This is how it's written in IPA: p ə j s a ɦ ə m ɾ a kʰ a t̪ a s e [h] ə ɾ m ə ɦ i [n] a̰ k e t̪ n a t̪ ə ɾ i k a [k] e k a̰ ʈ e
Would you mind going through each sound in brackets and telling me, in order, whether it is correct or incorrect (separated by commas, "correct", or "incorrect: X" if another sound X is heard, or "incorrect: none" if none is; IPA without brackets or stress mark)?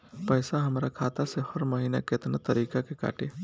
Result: correct, correct, correct